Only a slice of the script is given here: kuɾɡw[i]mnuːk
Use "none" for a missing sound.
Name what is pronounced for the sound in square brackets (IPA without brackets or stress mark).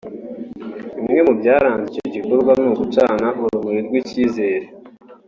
a